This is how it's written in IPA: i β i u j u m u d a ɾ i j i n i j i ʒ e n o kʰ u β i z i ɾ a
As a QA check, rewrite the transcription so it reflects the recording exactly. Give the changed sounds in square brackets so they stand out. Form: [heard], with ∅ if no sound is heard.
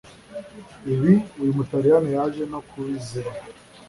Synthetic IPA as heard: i β i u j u m u [t] a ɾ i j [a] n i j [a] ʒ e n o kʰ u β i z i ɾ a